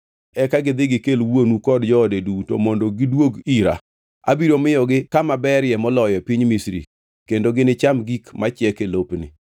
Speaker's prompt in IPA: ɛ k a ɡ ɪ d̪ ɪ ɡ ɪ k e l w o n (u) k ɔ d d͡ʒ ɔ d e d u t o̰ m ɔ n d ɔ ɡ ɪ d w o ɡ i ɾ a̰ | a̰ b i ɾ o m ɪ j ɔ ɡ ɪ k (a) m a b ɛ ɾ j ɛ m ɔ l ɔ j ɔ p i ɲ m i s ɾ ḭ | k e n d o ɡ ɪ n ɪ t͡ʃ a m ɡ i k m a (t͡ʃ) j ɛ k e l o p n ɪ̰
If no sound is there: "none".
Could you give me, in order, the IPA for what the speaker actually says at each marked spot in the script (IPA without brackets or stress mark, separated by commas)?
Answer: u, a, t͡ʃ